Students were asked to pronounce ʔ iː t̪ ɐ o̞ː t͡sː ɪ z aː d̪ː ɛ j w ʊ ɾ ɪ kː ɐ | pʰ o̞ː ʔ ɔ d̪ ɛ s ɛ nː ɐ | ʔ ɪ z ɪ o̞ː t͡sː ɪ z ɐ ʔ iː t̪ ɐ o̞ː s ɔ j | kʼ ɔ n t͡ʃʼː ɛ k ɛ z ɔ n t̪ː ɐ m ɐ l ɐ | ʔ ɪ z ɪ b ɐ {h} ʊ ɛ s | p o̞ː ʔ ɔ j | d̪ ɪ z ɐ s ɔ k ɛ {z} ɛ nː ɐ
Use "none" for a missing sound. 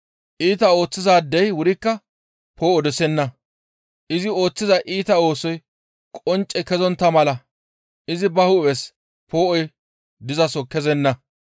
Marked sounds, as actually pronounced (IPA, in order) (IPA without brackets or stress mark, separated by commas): h, z